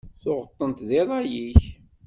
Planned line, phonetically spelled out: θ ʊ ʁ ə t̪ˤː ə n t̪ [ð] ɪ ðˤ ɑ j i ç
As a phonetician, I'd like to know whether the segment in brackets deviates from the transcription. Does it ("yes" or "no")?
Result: no